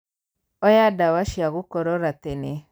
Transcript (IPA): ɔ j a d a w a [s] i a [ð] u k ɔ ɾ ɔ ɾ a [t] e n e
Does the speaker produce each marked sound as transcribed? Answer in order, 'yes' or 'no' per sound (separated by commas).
no, no, yes